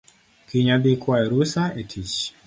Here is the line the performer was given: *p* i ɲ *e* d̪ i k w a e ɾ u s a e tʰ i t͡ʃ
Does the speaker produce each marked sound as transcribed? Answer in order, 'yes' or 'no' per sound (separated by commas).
no, no